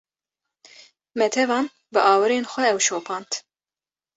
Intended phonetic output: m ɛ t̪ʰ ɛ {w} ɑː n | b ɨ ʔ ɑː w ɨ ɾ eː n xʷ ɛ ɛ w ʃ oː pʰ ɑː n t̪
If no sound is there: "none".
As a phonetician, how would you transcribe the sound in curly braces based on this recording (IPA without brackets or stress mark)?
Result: v